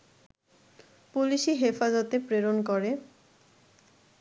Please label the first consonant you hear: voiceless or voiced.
voiceless